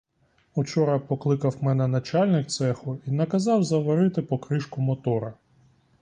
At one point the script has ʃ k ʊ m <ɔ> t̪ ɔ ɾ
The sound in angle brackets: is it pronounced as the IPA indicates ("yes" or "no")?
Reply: yes